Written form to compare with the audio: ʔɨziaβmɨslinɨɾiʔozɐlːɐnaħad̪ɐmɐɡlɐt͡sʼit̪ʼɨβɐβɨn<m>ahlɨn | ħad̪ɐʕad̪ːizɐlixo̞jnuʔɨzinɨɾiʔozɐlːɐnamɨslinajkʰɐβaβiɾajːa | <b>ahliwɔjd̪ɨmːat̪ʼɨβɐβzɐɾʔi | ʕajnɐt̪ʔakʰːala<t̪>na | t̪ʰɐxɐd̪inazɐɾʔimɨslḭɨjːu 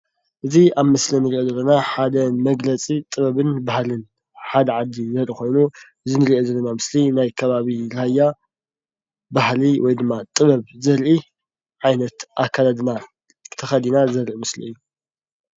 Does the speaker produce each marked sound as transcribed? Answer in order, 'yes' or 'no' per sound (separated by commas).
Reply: no, yes, no